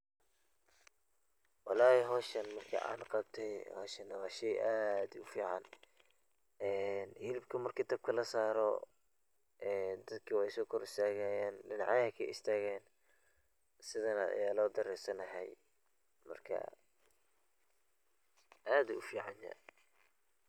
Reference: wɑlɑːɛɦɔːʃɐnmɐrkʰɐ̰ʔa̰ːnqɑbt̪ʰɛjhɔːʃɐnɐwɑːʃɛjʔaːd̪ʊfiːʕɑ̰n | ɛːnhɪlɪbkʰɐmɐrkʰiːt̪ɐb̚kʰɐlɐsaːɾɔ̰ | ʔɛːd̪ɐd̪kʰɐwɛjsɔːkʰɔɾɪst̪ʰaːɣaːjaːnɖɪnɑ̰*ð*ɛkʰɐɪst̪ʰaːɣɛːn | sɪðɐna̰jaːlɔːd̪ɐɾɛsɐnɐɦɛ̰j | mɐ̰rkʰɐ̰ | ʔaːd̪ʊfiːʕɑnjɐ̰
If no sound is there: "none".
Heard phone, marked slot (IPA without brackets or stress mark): ʕ